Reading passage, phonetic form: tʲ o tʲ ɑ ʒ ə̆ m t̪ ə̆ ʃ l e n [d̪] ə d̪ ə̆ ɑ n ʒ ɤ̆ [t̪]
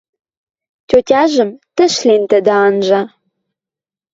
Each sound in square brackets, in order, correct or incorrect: incorrect, incorrect

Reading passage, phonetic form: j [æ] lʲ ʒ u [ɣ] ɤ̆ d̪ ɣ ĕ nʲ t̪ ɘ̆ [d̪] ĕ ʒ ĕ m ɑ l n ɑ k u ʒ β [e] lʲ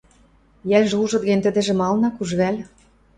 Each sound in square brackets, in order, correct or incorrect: correct, incorrect, correct, incorrect

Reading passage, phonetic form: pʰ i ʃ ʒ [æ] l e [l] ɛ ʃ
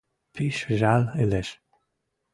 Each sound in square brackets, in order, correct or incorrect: incorrect, correct

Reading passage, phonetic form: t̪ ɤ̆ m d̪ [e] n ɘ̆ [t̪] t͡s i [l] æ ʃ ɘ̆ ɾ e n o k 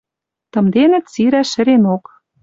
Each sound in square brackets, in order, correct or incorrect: correct, correct, incorrect

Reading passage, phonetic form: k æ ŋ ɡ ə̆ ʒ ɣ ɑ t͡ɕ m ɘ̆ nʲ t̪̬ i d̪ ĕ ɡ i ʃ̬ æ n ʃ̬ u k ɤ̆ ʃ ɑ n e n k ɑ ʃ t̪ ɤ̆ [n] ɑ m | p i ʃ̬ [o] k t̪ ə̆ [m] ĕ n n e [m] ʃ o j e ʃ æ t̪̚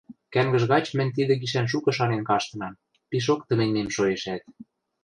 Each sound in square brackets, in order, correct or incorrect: correct, correct, correct, correct

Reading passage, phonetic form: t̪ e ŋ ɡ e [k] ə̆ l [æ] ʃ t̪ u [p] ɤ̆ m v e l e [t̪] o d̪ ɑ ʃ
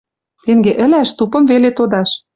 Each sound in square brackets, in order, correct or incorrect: incorrect, correct, correct, correct

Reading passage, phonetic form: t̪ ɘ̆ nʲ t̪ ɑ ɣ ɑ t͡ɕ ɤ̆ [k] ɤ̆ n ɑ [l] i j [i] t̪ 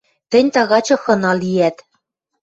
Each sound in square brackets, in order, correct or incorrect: incorrect, correct, incorrect

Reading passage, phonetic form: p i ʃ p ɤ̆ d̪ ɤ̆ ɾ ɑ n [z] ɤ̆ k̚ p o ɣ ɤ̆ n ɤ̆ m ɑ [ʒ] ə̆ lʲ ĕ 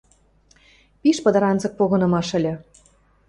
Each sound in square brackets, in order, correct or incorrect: correct, incorrect

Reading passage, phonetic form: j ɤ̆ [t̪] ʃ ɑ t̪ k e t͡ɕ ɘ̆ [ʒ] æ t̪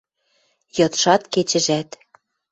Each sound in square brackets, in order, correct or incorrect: correct, correct

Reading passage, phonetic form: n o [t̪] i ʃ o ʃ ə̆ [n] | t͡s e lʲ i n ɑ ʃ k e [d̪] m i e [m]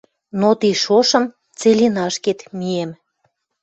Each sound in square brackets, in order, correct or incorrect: correct, incorrect, incorrect, correct

